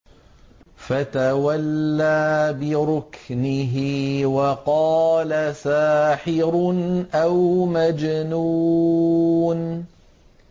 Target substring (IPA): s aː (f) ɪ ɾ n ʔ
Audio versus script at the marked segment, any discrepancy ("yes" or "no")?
yes